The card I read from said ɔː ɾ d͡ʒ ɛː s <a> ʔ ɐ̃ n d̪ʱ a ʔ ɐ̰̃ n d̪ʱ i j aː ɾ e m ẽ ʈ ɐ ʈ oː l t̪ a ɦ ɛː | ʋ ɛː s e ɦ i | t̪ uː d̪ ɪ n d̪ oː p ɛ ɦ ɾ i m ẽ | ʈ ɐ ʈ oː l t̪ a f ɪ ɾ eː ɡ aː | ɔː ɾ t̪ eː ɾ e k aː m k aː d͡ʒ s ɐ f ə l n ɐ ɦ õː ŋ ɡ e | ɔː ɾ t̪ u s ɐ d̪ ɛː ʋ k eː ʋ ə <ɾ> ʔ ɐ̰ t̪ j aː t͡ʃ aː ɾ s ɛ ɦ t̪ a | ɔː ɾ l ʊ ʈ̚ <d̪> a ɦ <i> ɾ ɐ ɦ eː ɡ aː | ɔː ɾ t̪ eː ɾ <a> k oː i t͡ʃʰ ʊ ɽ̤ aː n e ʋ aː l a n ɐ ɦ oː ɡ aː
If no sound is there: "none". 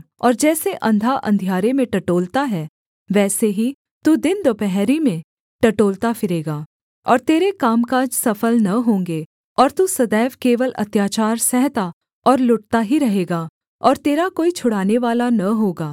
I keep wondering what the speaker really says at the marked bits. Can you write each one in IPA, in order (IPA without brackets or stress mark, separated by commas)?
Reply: e, l, t̪, i, a